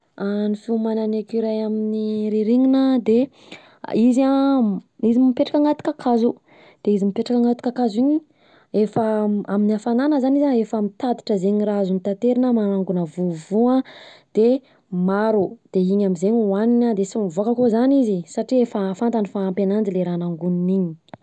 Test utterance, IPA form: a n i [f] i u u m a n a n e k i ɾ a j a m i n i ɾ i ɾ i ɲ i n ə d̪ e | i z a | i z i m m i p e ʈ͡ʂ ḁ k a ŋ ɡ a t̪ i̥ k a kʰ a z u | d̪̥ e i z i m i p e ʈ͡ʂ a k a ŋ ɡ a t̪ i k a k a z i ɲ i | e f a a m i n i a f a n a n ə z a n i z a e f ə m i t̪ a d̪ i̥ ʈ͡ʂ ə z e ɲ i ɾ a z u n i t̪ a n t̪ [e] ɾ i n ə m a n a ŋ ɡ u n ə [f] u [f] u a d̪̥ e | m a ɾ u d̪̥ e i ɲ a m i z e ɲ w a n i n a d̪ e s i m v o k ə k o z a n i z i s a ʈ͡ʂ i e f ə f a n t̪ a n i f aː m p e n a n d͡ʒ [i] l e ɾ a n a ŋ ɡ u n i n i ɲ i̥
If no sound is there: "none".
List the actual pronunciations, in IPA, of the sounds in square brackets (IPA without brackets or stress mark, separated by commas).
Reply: f, e, v, v, i